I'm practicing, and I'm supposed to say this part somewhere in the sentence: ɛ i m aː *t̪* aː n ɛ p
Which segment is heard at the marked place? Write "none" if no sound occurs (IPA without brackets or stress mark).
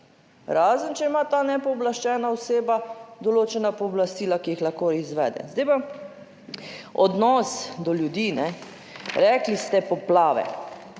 t̪